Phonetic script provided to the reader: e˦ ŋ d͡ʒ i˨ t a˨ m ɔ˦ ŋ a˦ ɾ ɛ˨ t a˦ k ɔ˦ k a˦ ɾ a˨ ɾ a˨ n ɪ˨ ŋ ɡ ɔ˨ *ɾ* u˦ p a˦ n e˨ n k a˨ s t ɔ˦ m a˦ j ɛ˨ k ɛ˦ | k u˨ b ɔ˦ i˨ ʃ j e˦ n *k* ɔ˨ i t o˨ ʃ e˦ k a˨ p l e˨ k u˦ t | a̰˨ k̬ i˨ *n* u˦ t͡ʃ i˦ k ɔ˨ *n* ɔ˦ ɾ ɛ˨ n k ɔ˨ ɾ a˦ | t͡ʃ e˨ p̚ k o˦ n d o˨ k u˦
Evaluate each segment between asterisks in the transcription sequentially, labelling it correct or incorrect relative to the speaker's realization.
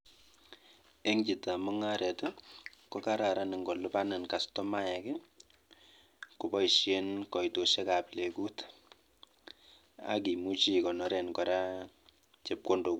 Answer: incorrect: l, correct, incorrect: m, correct

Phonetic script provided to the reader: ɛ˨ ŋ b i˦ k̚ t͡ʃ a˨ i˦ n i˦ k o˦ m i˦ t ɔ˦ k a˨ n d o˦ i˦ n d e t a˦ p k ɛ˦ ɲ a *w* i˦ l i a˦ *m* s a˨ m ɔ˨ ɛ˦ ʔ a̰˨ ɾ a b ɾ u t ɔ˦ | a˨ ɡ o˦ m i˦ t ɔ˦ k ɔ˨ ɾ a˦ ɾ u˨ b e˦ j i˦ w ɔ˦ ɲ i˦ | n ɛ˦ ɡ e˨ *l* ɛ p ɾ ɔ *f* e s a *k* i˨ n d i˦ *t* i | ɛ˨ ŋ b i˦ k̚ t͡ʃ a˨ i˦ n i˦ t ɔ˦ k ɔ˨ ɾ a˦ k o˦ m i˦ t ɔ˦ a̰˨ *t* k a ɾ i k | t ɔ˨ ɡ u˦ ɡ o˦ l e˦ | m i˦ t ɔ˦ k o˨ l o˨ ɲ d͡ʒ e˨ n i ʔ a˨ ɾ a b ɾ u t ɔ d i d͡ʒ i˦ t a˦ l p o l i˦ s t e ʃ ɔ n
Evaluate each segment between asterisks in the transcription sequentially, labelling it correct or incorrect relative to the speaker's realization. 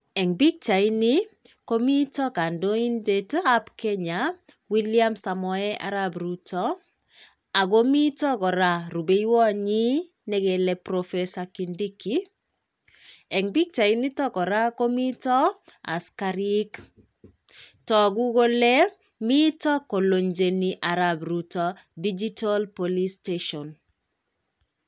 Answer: correct, correct, correct, correct, correct, incorrect: k, incorrect: s

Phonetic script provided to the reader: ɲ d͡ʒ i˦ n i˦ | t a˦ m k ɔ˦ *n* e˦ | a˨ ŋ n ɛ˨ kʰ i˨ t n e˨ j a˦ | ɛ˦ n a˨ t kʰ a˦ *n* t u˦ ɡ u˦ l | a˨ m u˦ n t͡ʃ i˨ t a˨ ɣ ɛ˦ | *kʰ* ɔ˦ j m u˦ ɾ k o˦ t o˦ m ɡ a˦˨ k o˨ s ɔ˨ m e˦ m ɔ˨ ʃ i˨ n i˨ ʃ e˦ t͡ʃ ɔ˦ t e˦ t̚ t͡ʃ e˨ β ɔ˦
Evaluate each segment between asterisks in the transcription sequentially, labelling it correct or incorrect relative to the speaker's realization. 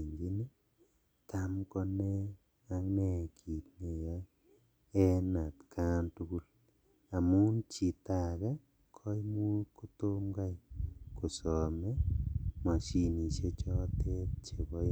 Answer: correct, correct, correct

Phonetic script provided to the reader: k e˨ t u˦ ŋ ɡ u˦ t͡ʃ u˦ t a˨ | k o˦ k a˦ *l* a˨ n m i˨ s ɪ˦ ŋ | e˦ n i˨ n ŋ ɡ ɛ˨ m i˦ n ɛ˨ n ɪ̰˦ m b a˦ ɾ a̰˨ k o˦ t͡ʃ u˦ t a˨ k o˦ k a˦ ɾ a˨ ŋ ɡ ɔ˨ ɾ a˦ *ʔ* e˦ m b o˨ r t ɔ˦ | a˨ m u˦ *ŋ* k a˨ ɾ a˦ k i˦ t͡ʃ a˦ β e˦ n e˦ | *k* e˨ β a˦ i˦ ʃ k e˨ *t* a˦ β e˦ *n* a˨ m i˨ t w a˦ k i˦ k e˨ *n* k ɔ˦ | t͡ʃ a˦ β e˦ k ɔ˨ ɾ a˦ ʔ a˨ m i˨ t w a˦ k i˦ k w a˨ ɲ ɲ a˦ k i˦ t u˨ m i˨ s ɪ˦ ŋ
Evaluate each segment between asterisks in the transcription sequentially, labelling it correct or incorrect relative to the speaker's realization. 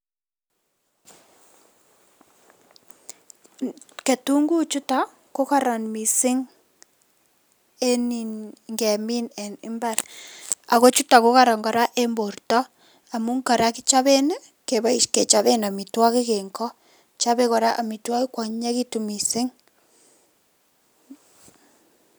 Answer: incorrect: ɾ, correct, correct, correct, incorrect: t͡ʃ, correct, incorrect: ŋ

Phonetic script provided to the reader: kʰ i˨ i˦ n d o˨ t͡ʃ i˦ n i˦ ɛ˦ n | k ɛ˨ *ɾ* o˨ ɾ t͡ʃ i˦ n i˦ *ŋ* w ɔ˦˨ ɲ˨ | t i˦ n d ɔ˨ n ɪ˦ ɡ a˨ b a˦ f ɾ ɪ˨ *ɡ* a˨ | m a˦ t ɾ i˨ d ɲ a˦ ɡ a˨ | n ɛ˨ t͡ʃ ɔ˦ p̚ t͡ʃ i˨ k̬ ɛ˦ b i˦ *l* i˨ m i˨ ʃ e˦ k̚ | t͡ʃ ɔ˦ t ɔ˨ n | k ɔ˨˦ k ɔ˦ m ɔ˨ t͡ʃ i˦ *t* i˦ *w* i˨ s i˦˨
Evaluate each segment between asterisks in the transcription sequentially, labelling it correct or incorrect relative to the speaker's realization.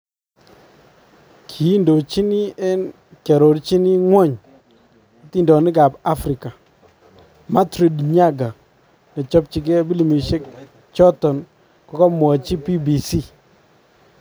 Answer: correct, correct, incorrect: k, correct, incorrect: p, incorrect: b

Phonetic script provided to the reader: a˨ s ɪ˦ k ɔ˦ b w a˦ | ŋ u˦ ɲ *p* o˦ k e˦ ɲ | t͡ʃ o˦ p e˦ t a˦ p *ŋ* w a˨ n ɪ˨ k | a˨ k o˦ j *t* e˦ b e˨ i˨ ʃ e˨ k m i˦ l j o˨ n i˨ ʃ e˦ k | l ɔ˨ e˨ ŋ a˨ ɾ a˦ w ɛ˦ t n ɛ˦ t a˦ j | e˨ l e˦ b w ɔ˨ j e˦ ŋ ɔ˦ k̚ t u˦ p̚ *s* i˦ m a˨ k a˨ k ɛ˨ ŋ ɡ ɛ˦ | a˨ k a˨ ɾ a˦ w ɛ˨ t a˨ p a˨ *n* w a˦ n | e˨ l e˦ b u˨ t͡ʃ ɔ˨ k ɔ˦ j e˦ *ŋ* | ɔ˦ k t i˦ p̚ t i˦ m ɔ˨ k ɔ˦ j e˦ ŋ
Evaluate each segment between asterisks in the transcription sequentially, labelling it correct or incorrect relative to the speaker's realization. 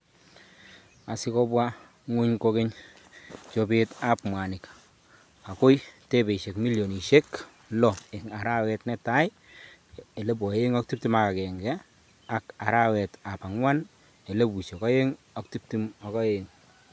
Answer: incorrect: k, incorrect: m, correct, incorrect: t, incorrect: ŋ, correct

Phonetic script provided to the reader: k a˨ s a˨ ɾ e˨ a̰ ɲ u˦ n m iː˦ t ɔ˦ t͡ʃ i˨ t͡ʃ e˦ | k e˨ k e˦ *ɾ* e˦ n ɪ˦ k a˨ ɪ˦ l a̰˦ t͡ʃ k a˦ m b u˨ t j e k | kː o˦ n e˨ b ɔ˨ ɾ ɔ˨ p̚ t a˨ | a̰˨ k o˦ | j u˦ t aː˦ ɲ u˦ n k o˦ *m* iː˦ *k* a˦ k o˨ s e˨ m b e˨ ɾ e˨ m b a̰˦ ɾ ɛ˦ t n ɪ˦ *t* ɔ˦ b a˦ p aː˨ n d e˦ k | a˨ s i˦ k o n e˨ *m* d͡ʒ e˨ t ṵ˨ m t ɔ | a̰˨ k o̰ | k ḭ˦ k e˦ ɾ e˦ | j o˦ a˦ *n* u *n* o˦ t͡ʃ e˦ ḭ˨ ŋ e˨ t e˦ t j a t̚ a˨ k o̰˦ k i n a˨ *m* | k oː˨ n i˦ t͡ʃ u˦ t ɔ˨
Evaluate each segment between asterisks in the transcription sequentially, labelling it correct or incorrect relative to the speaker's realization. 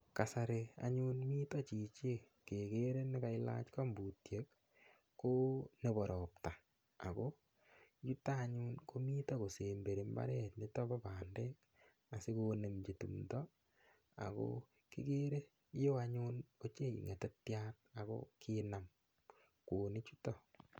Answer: correct, correct, incorrect: t, correct, correct, incorrect: ɲ, correct, correct

